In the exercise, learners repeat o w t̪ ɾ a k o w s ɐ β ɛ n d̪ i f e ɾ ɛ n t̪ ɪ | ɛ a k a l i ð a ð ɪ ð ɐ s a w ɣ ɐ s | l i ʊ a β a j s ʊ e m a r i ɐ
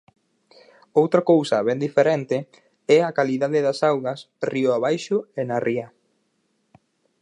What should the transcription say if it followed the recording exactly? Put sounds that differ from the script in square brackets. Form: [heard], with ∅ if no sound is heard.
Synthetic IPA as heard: o w t̪ ɾ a k o w s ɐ β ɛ n d̪ i f e ɾ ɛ n t̪ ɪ | ɛ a k a l i ð a ð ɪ ð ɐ s a w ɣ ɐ s | [r] i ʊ a β a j [ʃ] ʊ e [n] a r i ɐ

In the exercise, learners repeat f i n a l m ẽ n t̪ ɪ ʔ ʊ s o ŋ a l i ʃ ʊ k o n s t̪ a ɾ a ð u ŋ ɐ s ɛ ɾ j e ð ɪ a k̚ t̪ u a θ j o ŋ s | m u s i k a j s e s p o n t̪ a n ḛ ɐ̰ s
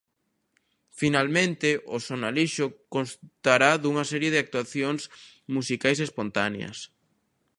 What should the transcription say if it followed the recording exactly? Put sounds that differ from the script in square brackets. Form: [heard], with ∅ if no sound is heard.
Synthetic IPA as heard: f i n a l m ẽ n t̪ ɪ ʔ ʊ s o [n] a l i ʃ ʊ k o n s t̪ a ɾ a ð u ŋ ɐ s ɛ ɾ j e ð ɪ a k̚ t̪ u a θ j o ŋ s | m u s i k a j s e s p o n t̪ a n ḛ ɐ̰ s

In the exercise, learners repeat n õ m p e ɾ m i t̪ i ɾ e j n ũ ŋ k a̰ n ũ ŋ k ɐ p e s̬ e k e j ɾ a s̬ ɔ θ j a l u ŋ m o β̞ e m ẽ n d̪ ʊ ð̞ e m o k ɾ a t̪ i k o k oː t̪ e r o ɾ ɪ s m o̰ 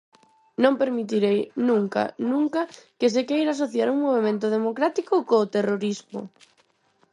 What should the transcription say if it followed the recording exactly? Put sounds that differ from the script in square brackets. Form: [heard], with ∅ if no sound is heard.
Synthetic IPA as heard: n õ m p e ɾ m i t̪ i ɾ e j n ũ ŋ k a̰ n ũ ŋ k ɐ [k] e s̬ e k e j ɾ a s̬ [o] θ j a [ɾ] u ŋ m o β̞ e m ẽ n [t̪] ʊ ð̞ e m o k ɾ a t̪ i k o k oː t̪ e r o ɾ [i] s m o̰

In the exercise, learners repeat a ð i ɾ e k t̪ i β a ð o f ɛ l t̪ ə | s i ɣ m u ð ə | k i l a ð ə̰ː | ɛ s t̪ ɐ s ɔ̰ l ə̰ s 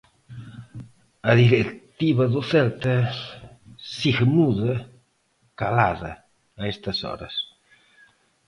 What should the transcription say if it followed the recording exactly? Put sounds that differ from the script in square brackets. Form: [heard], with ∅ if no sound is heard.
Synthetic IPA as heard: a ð i ɾ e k t̪ i β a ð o f ɛ l t̪ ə | s i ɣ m u ð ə | k [a] l a ð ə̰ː | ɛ s t̪ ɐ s ɔ̰ [ɾ] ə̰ s

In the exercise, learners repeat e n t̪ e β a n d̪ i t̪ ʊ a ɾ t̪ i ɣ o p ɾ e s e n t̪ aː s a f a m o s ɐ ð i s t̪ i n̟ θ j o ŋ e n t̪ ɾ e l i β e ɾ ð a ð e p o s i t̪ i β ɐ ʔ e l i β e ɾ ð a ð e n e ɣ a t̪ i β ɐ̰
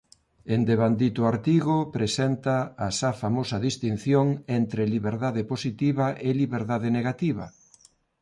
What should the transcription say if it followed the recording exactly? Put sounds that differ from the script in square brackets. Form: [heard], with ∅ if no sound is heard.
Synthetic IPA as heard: e n [d̪] e β a n d̪ i t̪ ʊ a ɾ t̪ i ɣ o p ɾ e s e n t̪ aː s a f a m o s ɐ ð i s t̪ i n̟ θ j o ŋ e n t̪ ɾ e l i β e ɾ ð a ð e p o s i t̪ i β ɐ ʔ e l i β e ɾ ð a ð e n e ɣ a t̪ i β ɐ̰

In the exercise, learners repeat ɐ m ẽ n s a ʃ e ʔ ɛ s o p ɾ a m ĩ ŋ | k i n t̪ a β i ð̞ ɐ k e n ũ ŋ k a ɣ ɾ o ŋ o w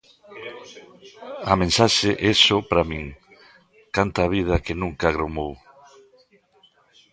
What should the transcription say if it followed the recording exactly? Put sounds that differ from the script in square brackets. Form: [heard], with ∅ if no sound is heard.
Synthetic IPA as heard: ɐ m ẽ n s a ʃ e ʔ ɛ s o p ɾ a m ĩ ŋ | k [a] n t̪ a β i ð̞ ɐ k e n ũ ŋ k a ɣ ɾ o [m] o w

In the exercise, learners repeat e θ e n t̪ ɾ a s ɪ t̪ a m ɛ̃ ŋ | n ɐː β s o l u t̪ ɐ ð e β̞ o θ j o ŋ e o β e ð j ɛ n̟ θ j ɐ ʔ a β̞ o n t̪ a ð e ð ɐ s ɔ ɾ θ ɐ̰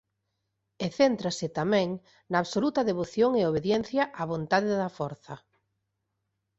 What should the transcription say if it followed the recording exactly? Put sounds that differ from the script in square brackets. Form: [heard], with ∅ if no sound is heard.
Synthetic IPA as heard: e θ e n t̪ ɾ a s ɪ t̪ a m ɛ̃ ŋ | n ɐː β s o l u t̪ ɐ ð e β̞ o θ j o ŋ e o β e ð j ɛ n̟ θ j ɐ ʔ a β̞ o n t̪ a ð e ð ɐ [f] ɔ ɾ θ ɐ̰

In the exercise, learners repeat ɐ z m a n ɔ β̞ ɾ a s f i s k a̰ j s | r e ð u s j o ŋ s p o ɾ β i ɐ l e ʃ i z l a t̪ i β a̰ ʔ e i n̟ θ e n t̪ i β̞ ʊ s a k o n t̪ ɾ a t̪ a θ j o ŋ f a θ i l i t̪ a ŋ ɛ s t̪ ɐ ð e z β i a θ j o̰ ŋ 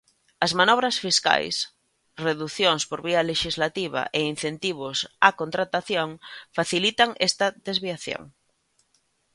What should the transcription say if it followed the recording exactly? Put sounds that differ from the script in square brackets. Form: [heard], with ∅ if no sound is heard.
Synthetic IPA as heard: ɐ z m a n ɔ β̞ ɾ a s f i s k a̰ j s | r e ð u [θ] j o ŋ s p o ɾ β i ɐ l e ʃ i z l a t̪ i β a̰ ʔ e i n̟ θ e n t̪ i β̞ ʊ s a k o n t̪ ɾ a t̪ a θ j o ŋ f a θ i l i t̪ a ŋ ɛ s t̪ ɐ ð e z β i a θ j o̰ ŋ

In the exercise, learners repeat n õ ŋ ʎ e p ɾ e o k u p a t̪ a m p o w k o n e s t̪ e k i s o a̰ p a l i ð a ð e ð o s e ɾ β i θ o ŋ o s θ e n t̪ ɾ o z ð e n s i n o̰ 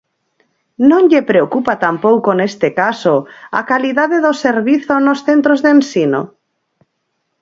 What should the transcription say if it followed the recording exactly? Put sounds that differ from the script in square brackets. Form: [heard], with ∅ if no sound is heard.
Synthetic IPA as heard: n õ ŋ ʎ e p ɾ e o k u p a t̪ a m p o w k o n e s t̪ e k [a] s o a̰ [k] a l i ð a ð e ð o s e ɾ β i θ o [n] o s θ e n t̪ ɾ o z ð e n s i n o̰

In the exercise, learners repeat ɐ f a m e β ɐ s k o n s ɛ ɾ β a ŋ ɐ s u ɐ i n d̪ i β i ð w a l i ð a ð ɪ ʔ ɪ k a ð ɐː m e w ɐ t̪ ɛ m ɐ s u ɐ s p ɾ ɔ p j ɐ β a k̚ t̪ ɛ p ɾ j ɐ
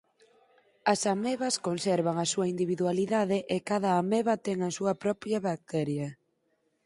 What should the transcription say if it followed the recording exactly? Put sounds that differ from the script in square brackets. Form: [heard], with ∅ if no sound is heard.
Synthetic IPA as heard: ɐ [s] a m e β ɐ s k o n s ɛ ɾ β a ŋ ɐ s u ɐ i n d̪ i β i ð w a l i ð a ð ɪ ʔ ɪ k a ð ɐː m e [β] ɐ t̪ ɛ [ŋ] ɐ s u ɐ [∅] p ɾ ɔ p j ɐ β a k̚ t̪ ɛ [∅] ɾ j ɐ

